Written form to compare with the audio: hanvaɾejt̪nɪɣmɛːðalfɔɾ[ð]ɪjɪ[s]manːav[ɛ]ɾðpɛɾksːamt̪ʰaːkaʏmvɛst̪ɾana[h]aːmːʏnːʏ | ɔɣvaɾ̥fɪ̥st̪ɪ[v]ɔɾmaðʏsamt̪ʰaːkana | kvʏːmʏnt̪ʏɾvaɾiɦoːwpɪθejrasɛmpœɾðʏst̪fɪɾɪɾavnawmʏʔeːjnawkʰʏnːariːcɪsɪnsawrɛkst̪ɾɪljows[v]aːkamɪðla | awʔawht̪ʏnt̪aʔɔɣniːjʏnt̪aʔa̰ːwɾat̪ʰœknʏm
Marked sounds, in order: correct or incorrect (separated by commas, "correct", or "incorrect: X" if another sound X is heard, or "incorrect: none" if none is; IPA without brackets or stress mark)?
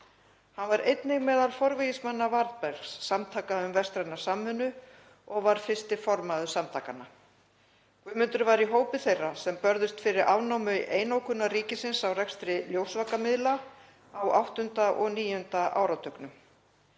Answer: incorrect: v, correct, incorrect: a, incorrect: s, incorrect: f, correct